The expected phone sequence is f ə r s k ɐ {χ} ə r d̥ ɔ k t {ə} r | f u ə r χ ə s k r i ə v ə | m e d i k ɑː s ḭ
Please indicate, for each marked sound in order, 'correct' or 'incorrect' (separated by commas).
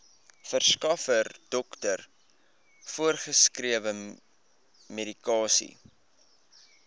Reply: incorrect, correct